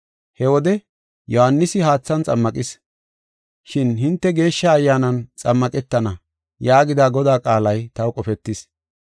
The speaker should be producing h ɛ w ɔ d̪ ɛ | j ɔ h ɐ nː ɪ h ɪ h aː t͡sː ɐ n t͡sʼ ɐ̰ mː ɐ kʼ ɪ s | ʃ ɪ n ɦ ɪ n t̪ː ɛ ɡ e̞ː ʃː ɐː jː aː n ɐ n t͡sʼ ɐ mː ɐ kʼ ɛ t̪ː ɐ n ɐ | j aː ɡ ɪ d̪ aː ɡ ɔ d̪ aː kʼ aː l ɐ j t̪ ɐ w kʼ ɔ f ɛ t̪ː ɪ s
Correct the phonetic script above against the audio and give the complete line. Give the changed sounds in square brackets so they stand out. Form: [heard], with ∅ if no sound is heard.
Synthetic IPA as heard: h ɛ w ɔ d̪ ɛ | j ɔ h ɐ nː ɪ [s] ɪ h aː t͡sː ɐ n t͡sʼ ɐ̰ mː ɐ kʼ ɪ s | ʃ ɪ n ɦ ɪ n t̪ː ɛ ɡ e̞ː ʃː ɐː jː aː n ɐ n t͡sʼ ɐ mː ɐ kʼ ɛ t̪ː ɐ n ɐ | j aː ɡ ɪ d̪ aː ɡ ɔ d̪ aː kʼ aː l ɐ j t̪ ɐ w kʼ ɔ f ɛ t̪ː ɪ s

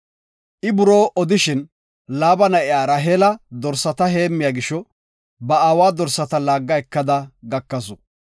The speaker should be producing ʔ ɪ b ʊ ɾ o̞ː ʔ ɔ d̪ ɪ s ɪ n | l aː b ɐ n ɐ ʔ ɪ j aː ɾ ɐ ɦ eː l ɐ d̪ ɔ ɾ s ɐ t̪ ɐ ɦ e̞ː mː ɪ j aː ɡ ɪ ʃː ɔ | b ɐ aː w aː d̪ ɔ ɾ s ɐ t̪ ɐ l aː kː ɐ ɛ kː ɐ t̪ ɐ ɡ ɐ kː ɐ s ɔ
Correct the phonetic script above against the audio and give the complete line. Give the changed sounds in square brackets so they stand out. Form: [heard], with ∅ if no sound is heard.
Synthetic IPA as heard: ʔ ɪ b ʊ ɾ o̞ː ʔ ɔ d̪ ɪ [ʃ] ɪ n | l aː b ɐ n ɐ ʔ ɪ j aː ɾ ɐ ɦ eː l ɐ d̪ ɔ ɾ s ɐ t̪ ɐ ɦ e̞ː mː ɪ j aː ɡ ɪ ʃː ɔ | b ɐ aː w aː d̪ ɔ ɾ s ɐ t̪ ɐ l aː [ɡː] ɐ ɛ kː ɐ [d̪] ɐ ɡ ɐ kː ɐ s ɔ

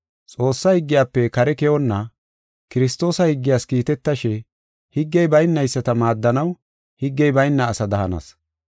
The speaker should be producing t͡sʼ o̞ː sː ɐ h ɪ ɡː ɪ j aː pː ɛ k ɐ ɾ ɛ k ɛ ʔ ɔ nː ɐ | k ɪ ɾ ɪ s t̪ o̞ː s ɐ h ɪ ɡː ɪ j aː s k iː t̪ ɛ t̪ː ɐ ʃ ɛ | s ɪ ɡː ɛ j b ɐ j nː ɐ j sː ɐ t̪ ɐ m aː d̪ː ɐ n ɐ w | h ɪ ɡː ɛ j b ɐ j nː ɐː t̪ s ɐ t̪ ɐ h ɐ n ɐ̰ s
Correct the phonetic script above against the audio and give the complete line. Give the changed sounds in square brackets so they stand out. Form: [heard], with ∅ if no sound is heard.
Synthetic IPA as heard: t͡sʼ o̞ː sː ɐ h ɪ ɡː ɪ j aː pː ɛ k ɐ ɾ ɛ k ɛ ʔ ɔ nː ɐ | k ɪ ɾ ɪ s t̪ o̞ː s ɐ h ɪ ɡː ɪ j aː s k iː t̪ ɛ t̪ː ɐ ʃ ɛ | [h] ɪ ɡː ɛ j b ɐ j nː ɐ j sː ɐ t̪ ɐ m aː d̪ː ɐ n ɐ w | h ɪ ɡː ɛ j b ɐ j nː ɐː [∅] s ɐ [d̪] ɐ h ɐ n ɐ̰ s

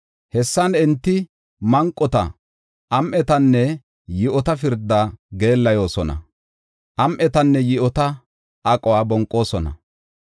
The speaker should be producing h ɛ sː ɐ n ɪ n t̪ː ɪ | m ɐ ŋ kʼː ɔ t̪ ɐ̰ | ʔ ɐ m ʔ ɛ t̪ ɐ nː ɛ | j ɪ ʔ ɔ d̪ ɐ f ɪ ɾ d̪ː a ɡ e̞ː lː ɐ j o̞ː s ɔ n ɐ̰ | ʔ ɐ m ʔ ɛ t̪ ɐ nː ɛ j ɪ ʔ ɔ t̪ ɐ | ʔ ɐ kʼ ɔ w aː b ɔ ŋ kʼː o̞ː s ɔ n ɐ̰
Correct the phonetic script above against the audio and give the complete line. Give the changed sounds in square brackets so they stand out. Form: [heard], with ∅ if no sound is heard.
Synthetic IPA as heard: h ɛ sː ɐ n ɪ n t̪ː ɪ | m ɐ ŋ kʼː ɔ t̪ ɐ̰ | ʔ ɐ m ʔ ɛ t̪ ɐ nː ɛ | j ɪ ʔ ɔ [t̪] ɐ f ɪ ɾ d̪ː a ɡ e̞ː lː ɐ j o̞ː s ɔ n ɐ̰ | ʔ ɐ m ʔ ɛ t̪ ɐ nː ɛ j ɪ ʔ ɔ t̪ ɐ | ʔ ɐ kʼ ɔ w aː b ɔ ŋ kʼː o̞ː s ɔ n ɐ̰

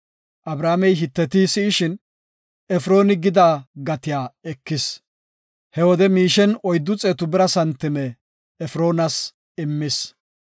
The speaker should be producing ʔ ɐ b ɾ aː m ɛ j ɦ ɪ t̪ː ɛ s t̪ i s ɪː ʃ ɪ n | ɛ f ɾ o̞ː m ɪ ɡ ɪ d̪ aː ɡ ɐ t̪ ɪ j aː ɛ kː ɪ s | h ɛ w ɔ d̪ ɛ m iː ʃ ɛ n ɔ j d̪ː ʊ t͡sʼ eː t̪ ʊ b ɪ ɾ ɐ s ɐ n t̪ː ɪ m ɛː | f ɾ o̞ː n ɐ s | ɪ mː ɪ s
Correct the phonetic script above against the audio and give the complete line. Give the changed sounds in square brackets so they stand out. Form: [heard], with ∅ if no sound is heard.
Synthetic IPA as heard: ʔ ɐ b ɾ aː m ɛ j ɦ ɪ t̪ː ɛ [∅] t̪ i s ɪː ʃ ɪ n | ɛ f ɾ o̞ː [n] ɪ ɡ ɪ d̪ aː ɡ ɐ t̪ ɪ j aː ɛ kː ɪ s | h ɛ w ɔ d̪ ɛ m iː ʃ ɛ n ɔ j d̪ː ʊ t͡sʼ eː t̪ ʊ b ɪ ɾ ɐ s ɐ n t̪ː ɪ m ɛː | f ɾ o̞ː n ɐ s | ɪ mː ɪ s

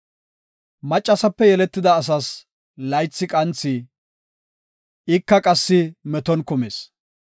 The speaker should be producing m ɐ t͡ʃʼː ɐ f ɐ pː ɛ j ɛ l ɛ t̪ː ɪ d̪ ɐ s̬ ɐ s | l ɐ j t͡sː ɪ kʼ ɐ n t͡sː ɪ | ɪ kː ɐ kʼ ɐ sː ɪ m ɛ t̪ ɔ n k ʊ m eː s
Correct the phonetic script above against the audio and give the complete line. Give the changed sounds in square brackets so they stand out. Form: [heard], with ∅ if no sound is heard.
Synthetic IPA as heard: m ɐ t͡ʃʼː ɐ [s] ɐ pː ɛ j ɛ l ɛ t̪ː ɪ d̪ [ɐː] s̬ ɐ s | l ɐ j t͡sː ɪ kʼ ɐ n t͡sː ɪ | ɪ kː ɐ kʼ ɐ sː ɪ m ɛ t̪ ɔ n k ʊ m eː s

